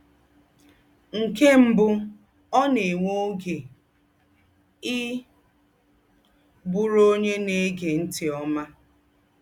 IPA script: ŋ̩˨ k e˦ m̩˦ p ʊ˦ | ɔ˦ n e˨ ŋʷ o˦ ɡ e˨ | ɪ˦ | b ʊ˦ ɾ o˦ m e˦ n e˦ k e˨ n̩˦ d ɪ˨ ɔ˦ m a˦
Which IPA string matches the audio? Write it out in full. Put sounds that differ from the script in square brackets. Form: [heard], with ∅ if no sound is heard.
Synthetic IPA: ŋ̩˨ k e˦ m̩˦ [b] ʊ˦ | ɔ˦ n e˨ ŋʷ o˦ ɡ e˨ | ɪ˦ | b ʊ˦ ɾ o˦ [ɲ] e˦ n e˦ [ɡ] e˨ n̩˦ [t] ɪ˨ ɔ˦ m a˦

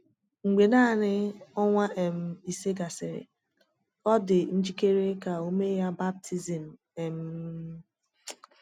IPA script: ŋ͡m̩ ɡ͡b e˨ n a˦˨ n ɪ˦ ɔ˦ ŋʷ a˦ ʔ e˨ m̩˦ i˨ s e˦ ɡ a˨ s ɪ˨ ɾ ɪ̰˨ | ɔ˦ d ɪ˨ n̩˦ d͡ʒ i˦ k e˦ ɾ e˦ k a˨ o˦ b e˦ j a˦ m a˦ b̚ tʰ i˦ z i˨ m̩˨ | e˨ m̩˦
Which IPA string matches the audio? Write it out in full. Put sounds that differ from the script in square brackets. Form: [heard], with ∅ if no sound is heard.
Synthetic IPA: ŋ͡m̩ ɡ͡b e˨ n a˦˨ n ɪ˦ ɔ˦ ŋʷ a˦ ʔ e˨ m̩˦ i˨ s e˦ ɡ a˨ s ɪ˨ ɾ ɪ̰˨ | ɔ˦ d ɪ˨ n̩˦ d͡ʒ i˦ k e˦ ɾ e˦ k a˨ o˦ [m] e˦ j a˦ [b] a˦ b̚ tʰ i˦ z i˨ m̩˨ | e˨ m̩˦

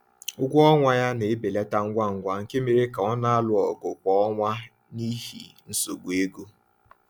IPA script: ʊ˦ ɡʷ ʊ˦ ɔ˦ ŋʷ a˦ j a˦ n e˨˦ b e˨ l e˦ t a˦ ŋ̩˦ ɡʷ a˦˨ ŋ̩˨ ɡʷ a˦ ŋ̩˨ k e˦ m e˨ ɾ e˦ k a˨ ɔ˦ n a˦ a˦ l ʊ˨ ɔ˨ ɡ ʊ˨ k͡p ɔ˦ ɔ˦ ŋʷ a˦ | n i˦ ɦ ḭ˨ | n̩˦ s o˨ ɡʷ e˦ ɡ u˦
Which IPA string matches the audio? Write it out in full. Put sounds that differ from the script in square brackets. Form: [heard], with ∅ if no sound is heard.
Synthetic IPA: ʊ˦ ɡʷ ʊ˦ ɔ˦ ŋʷ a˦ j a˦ n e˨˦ b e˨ l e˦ t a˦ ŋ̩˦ ɡʷ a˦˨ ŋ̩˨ ɡʷ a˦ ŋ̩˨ k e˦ m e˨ ɾ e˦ k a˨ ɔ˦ n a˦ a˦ l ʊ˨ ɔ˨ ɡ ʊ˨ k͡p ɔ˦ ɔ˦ ŋʷ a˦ | n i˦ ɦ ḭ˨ | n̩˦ s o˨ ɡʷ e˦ ɡ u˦

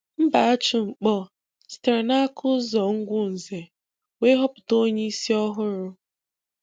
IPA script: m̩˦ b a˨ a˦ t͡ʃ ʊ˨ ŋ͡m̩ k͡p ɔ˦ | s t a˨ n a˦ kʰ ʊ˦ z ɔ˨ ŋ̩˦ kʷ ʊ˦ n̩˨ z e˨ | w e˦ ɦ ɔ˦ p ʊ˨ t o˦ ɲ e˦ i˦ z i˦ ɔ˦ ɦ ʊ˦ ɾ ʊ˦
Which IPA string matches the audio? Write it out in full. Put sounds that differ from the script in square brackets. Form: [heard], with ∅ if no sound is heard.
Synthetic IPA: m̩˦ b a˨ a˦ t͡ʃ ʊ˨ ŋ͡m̩ k͡p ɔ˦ | s t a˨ n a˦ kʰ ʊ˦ z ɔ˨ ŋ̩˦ [ɡʷ] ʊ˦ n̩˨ z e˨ | w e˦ ɦ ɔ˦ p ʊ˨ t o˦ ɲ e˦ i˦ [s] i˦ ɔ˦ ɦ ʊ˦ ɾ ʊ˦

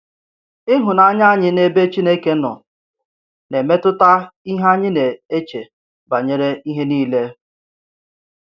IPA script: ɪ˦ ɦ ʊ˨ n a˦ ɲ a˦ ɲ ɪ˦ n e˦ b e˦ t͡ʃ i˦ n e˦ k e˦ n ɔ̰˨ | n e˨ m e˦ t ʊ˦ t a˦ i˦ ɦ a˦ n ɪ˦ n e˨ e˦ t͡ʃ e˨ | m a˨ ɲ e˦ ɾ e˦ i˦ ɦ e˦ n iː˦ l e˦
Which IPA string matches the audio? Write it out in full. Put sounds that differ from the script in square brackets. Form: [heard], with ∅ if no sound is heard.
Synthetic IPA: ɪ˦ ɦ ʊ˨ n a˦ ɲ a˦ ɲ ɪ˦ n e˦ b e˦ t͡ʃ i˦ n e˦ k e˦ n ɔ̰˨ | n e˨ m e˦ t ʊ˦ t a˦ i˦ ɦ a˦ [ɲ] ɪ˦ n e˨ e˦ t͡ʃ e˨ | [b] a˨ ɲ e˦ ɾ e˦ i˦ ɦ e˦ n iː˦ l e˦

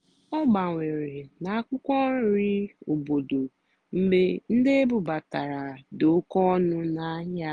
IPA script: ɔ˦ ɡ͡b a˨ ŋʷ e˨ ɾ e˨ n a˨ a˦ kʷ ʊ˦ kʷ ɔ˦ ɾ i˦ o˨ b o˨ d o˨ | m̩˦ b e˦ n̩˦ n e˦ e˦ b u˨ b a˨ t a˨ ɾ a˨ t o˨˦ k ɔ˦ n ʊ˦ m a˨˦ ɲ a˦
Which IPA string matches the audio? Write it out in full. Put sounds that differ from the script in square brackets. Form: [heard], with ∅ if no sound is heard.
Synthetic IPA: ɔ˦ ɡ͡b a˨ ŋʷ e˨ ɾ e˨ n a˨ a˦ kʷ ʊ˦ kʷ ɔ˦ ɾ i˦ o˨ b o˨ d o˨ | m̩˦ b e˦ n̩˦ [d] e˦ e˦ b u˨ b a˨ t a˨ ɾ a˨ [d] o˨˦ k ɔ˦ n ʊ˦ [n] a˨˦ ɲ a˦

